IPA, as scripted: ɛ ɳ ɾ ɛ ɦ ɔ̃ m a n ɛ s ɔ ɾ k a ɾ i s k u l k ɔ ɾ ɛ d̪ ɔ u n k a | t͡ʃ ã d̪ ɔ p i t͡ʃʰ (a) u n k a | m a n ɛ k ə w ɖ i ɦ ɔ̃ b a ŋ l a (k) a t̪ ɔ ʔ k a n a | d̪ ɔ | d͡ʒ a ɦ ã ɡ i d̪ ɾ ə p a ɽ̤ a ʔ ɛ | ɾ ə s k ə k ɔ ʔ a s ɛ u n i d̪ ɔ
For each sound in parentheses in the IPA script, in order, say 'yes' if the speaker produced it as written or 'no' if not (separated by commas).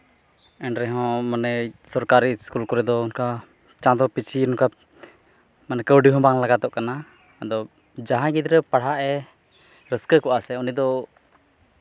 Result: no, no